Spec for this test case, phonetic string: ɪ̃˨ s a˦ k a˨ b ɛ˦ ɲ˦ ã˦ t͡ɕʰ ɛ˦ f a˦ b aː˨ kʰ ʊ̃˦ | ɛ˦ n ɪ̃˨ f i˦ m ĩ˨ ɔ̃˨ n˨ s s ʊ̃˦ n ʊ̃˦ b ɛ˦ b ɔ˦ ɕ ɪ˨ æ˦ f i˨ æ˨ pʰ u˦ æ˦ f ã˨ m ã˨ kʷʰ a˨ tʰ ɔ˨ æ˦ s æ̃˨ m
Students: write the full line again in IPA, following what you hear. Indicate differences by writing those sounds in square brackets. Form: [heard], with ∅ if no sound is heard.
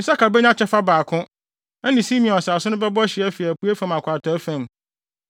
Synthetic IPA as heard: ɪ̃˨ s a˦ k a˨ b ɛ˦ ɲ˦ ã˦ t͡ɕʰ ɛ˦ f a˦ b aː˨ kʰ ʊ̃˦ | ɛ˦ n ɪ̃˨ [s] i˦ m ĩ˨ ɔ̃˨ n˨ s s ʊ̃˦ n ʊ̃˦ b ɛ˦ b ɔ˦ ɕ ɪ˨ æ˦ f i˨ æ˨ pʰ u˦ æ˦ f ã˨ m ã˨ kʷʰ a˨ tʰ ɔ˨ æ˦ [f] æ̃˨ m